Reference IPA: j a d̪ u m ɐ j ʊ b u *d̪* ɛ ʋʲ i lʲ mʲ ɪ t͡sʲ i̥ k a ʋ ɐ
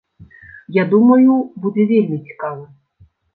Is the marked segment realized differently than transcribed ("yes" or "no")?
no